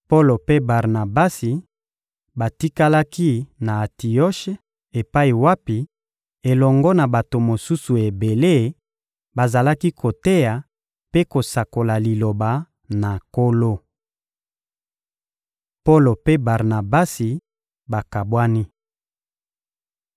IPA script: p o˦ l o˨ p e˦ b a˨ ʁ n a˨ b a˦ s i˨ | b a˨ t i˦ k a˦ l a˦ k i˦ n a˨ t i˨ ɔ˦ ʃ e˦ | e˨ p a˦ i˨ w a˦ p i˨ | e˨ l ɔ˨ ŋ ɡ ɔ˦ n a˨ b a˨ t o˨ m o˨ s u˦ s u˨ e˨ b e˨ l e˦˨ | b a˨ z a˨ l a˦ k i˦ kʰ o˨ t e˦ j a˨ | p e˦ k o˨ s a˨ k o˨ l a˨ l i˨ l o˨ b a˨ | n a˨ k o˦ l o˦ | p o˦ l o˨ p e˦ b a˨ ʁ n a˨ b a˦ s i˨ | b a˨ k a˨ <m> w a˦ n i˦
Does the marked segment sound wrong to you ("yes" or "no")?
yes